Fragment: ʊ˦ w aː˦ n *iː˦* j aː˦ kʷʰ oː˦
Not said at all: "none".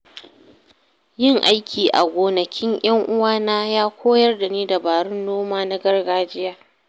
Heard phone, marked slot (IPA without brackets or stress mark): aː˦